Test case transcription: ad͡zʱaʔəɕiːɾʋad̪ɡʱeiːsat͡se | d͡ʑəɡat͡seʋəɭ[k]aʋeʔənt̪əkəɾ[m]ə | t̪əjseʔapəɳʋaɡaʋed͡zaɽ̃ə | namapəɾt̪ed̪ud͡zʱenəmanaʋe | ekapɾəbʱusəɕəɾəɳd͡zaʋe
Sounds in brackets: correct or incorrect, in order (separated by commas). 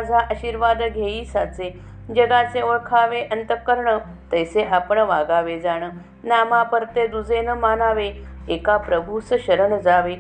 incorrect, incorrect